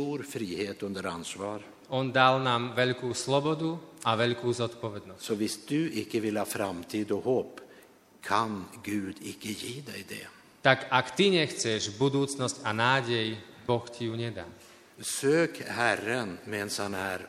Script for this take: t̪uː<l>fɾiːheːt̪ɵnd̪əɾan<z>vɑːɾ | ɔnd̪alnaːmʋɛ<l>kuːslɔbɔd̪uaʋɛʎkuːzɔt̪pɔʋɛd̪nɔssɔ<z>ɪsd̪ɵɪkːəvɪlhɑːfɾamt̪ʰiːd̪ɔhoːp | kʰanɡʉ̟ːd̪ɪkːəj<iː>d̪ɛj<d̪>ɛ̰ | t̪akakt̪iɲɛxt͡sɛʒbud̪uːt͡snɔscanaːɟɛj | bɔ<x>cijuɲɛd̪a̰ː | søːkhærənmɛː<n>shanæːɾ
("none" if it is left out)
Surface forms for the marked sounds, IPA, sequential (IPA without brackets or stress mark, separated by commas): ɾ, s, ʎ, v, iː, d̪, x, n